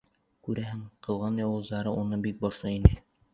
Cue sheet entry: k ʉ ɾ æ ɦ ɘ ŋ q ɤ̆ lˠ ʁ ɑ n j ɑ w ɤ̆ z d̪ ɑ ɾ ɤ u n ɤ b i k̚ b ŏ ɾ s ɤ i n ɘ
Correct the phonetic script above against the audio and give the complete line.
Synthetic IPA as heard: k ʉ ɾ æ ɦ ɘ ŋ q ɤ̆ lˠ ʁ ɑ n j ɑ w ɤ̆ z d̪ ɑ ɾ ɤ u n ɤ b i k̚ b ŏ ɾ s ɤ i n ɘ